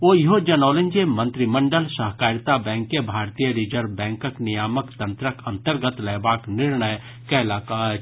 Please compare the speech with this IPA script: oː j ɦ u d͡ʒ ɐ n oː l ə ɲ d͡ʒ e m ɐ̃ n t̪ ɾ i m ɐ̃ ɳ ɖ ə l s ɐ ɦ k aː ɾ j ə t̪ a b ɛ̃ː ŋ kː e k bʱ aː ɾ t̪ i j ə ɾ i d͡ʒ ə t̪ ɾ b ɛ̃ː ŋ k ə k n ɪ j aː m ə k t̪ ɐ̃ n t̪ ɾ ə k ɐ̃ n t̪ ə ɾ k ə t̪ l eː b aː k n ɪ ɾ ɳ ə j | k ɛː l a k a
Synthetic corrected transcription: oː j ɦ o d͡ʒ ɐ n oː l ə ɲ d͡ʒ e m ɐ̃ n t̪ ɾ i m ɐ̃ ɳ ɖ ə l s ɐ ɦ k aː ɾ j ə t̪ a b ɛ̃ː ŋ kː e bʱ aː ɾ t̪ i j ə ɾ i d͡ʒ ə ɾ b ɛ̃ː ŋ k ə k n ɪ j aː m ə k t̪ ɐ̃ n t̪ ɾ ə k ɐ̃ n t̪ ə ɾ ɡ ə t̪ l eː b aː k n ɪ ɾ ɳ ə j | k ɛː l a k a